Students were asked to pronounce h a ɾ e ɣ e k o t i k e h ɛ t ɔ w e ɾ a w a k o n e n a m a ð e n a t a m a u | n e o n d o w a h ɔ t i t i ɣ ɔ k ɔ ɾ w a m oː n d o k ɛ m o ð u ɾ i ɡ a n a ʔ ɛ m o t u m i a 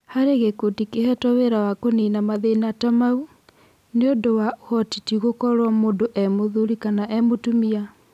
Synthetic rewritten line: h a ɾ e ɣ e k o t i k e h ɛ t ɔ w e ɾ a w a k o n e n a m a ð e n a t a m a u | n e o n d o w a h ɔ t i t i ɣ o k ɔ ɾ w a m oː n d o ʔ ɛ m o ð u ɾ i k a n a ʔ ɛ m o t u m i a